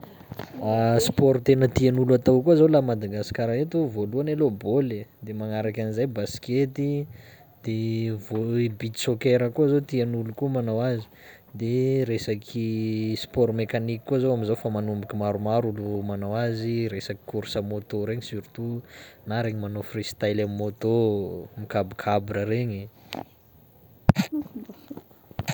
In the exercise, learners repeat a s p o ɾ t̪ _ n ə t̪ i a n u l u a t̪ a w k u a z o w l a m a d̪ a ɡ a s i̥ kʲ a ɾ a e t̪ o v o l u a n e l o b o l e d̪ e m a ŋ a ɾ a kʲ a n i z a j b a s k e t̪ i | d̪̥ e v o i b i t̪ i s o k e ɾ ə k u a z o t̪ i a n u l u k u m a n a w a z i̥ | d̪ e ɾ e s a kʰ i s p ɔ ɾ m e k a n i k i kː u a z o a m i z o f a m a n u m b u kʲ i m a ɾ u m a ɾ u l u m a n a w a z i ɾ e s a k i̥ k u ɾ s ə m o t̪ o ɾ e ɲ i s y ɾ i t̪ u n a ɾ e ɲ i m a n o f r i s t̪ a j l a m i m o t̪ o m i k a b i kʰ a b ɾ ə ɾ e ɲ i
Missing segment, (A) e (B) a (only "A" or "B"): A